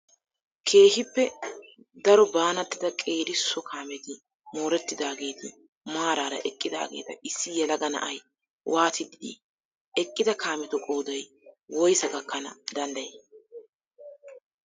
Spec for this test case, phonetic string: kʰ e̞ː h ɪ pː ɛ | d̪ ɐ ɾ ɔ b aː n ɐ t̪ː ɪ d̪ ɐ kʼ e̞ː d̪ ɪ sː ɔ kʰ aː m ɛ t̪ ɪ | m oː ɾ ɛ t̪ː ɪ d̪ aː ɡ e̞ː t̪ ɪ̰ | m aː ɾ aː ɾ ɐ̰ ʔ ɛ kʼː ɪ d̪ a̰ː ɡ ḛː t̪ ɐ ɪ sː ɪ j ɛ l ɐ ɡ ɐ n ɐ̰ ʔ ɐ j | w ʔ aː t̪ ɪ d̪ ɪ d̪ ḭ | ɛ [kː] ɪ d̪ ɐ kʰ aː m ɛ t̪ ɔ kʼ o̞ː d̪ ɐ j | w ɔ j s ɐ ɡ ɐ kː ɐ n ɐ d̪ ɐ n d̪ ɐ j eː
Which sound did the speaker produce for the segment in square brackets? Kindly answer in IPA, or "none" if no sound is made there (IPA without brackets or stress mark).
kʼː